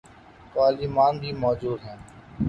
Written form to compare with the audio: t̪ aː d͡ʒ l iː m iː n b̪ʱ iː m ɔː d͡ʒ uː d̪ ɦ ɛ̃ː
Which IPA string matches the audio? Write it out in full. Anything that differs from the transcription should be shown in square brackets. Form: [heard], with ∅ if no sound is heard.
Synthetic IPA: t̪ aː [∅] l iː m [aː] n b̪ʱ iː m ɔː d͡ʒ uː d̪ ɦ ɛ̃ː